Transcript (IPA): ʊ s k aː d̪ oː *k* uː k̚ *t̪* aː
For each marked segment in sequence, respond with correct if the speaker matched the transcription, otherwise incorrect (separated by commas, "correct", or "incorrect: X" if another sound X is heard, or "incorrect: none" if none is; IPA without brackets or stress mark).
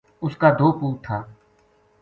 incorrect: p, incorrect: t̪ʰ